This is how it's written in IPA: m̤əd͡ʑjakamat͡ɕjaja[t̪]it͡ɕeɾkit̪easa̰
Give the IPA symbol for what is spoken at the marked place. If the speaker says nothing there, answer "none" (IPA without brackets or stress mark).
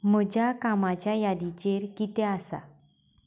d̪